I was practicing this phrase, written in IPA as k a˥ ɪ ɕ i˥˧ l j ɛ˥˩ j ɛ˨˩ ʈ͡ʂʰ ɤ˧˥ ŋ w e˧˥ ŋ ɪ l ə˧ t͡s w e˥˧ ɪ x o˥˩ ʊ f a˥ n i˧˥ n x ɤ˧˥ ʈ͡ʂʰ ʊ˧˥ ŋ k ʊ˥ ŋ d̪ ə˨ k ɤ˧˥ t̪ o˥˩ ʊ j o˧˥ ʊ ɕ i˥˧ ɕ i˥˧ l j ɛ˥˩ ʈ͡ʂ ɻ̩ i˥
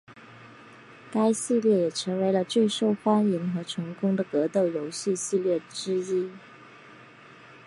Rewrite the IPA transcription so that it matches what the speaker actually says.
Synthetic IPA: k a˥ ɪ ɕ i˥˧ l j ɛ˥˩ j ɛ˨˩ ʈ͡ʂʰ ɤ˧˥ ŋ w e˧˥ ɪ l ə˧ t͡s w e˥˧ ɪ ʂ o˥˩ ʊ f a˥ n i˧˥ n x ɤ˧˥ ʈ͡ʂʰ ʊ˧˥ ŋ k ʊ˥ ŋ d̪ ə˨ k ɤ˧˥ t̪ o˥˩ ʊ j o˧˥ ʊ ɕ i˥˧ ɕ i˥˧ l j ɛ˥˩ ʈ͡ʂ ɻ̩ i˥